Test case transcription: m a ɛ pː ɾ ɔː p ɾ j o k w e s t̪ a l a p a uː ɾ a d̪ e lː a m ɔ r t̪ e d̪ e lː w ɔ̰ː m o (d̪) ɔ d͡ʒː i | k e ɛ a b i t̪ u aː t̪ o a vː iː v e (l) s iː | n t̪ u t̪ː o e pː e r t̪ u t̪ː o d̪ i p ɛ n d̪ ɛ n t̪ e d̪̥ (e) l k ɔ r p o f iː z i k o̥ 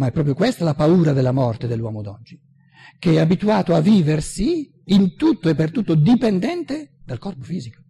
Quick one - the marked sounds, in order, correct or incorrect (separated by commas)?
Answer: correct, incorrect, incorrect